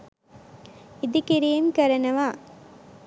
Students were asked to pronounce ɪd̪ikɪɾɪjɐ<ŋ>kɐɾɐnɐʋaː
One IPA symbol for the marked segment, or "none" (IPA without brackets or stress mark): m